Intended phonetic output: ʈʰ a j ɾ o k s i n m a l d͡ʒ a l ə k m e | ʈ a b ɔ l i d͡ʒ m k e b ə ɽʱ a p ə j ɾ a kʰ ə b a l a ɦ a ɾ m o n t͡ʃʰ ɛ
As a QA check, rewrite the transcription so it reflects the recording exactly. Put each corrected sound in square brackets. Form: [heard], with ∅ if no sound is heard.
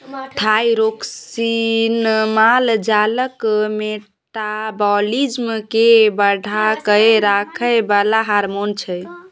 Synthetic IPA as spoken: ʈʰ a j ɾ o k s i n m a l d͡ʒ a l ə k m e | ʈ a b ɔ l i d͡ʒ m k e b ə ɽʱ a [k] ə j ɾ a kʰ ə b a l a ɦ a ɾ m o n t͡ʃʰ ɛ